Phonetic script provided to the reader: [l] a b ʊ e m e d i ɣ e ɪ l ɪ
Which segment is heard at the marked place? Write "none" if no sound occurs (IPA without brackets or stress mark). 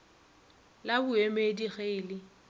l